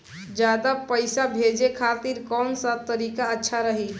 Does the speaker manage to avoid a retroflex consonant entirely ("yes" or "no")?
yes